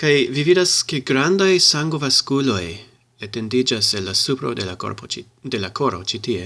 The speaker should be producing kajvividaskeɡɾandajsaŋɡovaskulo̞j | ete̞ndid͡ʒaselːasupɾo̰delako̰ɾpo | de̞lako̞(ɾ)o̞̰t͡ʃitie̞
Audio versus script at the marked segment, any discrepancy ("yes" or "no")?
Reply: no